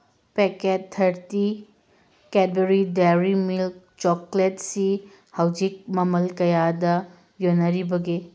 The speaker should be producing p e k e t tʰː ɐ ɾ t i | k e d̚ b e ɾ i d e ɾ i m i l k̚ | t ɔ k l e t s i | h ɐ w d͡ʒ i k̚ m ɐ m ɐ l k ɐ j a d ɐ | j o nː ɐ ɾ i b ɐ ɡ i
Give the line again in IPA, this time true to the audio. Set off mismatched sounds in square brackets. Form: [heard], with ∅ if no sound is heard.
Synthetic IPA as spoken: p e k e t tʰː ɐ ɾ t i | k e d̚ b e ɾ i d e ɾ i m i l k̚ | [t͡ʃ] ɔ k l e t s i | h ɐ w d͡ʒ i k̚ m ɐ m ɐ l k ɐ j a d ɐ | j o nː ɐ ɾ i b ɐ ɡ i

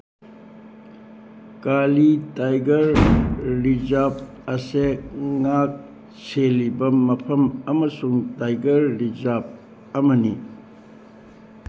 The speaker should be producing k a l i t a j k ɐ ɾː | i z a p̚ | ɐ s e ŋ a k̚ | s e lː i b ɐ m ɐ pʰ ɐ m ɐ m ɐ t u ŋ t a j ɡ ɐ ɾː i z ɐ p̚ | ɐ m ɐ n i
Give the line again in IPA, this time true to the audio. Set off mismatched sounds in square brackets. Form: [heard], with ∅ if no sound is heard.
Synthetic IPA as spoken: k a l i t a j [ɡ] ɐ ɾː | i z a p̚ | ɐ s e ŋ a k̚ | s e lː i b ɐ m ɐ pʰ ɐ m ɐ m ɐ [s] u ŋ t a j ɡ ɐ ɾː i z [a] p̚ | ɐ m ɐ n i

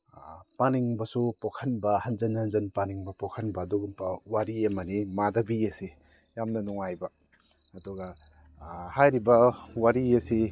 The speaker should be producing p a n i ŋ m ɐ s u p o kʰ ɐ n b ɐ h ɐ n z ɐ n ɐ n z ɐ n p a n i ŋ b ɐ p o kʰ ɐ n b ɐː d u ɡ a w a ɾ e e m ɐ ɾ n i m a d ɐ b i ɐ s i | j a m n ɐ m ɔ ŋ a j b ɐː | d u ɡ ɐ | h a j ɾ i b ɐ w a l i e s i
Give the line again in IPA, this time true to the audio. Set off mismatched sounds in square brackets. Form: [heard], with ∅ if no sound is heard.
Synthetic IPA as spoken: p a n i ŋ [b] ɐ s u p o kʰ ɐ n b ɐ h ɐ n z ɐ n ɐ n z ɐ n p a n i ŋ b ɐ p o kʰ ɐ n b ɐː d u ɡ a w a ɾ [i] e m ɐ [∅] n i m a d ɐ b i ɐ s i | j a m n ɐ [n] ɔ ŋ a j b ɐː | d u ɡ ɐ | h a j ɾ i b ɐ w a [ɾ] i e s i

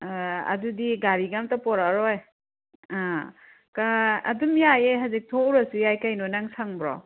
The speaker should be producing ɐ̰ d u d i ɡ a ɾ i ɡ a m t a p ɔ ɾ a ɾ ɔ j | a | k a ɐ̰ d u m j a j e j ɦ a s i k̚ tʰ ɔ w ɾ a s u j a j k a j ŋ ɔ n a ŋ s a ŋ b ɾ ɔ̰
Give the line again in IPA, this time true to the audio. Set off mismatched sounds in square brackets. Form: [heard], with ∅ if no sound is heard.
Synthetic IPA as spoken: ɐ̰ d u d i ɡ a ɾ i ɡ a m t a p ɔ ɾ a ɾ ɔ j | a | k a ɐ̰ d u m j a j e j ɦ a [z] i k̚ tʰ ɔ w ɾ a s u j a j k a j [n] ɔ n a ŋ s a ŋ b ɾ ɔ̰

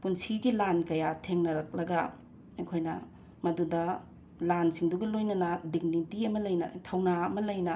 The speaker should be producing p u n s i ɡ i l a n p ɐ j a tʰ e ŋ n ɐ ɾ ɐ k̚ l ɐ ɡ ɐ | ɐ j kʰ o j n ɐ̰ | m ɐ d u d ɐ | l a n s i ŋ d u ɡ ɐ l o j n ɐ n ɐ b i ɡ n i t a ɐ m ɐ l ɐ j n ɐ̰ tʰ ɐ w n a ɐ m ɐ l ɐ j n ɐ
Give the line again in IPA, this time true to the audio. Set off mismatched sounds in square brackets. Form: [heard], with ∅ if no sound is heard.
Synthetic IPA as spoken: p u n s i ɡ i l a n [k] ɐ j a tʰ e ŋ n ɐ ɾ ɐ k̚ l ɐ ɡ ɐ | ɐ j kʰ o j n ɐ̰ | m ɐ d u d ɐ | l a n s i ŋ d u ɡ ɐ l o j n ɐ n ɐ [d] i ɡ n i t [i] ɐ m ɐ l ɐ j n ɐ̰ tʰ ɐ w n a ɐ m ɐ l ɐ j n ɐ

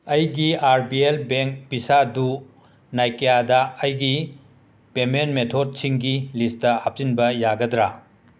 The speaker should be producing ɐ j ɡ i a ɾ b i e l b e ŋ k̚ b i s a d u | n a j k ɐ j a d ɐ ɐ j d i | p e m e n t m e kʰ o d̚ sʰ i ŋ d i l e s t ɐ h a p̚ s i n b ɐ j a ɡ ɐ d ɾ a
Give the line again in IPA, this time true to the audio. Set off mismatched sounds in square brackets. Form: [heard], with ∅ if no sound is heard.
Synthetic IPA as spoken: ɐ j ɡ i a ɾ b i e l b e ŋ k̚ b i s a d u | n a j k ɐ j a d ɐ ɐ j [ɡ] i | p e m e n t m e [tʰ] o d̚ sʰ i ŋ [ɡ] i l [i] s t ɐ h a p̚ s i n b ɐ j a ɡ ɐ d ɾ a

